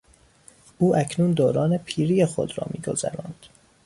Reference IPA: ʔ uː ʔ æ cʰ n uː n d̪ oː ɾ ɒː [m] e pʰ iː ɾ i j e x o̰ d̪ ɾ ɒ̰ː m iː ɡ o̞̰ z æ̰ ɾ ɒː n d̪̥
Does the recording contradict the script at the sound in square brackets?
yes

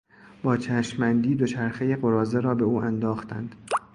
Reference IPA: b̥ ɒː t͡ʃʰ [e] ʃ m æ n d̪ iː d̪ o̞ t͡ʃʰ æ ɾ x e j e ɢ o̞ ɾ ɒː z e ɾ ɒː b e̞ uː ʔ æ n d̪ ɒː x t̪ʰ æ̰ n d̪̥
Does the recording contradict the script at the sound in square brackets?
yes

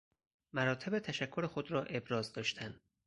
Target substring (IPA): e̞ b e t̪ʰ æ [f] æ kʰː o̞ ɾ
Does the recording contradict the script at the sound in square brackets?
yes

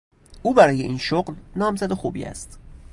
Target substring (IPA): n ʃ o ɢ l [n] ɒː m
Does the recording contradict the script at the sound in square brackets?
no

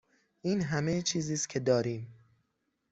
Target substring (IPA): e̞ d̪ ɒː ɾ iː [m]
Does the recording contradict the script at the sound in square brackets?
no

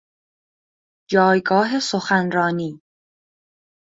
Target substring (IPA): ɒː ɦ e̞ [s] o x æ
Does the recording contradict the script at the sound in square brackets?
no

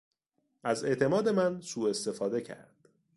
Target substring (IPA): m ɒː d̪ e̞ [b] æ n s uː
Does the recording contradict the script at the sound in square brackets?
yes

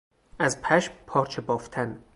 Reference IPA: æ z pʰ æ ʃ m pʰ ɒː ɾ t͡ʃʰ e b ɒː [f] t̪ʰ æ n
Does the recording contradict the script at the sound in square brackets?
no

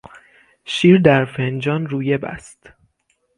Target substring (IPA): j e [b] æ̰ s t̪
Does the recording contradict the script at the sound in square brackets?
no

